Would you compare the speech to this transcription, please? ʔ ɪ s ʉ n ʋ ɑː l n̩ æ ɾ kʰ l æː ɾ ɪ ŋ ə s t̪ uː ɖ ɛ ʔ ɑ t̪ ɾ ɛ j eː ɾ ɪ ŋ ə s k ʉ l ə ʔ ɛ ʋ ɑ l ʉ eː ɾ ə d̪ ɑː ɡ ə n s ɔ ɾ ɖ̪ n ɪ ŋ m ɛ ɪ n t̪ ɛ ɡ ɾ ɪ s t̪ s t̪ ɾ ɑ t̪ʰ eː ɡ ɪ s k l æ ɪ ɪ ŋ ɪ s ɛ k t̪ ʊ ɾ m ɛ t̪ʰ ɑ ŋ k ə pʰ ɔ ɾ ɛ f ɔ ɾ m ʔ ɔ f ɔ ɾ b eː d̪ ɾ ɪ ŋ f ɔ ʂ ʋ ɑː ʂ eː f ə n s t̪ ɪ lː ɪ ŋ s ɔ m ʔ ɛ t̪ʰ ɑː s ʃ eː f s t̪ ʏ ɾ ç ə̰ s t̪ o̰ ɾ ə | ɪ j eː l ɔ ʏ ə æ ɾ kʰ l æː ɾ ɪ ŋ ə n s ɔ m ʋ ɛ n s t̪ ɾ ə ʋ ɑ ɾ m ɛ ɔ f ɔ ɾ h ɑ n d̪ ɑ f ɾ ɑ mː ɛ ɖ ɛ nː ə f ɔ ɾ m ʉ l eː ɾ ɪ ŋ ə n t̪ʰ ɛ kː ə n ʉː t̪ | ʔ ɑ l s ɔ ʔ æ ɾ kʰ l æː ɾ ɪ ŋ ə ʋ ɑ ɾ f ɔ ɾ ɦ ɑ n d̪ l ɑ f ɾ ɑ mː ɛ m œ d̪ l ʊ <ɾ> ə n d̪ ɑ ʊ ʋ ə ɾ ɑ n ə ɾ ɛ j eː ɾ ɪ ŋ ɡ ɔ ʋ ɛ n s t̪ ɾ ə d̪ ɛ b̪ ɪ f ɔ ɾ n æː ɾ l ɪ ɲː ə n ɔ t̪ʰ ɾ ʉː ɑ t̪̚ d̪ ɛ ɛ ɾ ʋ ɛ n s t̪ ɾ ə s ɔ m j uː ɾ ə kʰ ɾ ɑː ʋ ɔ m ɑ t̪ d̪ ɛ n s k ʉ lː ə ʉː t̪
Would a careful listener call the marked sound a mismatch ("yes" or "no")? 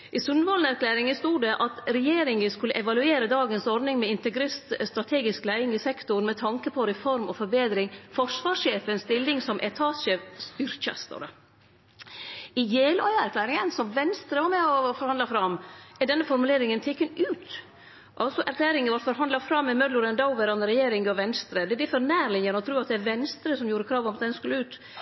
no